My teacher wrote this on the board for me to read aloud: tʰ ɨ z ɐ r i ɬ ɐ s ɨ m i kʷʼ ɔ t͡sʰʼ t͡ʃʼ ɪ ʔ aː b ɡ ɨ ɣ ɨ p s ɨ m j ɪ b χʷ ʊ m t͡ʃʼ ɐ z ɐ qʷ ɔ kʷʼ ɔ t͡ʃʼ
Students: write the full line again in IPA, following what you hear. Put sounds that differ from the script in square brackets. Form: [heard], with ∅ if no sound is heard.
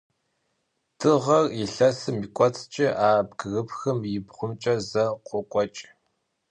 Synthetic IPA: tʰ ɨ [ʁ] ɐ r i ɬ ɐ s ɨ m i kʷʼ ɔ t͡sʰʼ t͡ʃʼ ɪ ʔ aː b ɡ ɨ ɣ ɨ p [x] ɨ m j ɪ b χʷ ʊ m t͡ʃʼ ɐ z ɐ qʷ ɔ kʷʼ ɔ t͡ʃʼ